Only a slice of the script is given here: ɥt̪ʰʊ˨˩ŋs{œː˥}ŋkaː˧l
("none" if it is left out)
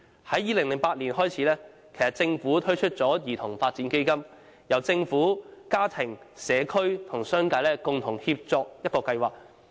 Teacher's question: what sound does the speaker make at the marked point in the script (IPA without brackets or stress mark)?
œː˥